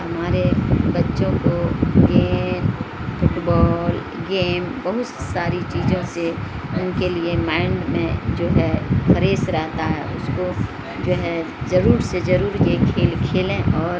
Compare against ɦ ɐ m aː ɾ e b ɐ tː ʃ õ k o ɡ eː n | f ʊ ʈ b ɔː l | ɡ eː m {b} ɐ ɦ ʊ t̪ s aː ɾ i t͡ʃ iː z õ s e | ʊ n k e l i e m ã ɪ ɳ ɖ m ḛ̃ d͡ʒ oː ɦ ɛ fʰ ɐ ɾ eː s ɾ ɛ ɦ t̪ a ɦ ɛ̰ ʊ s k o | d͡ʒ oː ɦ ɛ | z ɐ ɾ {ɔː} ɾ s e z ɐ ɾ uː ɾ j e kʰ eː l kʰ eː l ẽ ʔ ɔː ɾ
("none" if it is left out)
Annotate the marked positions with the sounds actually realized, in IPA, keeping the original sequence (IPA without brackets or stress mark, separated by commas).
b, uː